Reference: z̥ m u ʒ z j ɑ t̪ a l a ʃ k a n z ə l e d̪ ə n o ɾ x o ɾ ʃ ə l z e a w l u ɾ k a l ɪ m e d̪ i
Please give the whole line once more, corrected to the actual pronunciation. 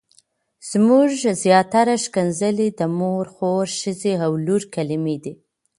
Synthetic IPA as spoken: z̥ m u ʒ z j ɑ t̪ a ɾ a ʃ k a n z ə l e d̪ ə m o ɾ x o ɾ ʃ ə z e a w l u ɾ k a l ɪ m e d̪ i